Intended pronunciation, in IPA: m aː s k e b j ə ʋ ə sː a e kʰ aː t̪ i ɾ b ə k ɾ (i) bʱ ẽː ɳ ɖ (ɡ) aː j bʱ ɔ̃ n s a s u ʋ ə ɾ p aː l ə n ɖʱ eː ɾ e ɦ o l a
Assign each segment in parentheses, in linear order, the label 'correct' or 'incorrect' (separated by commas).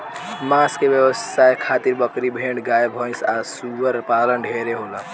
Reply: correct, correct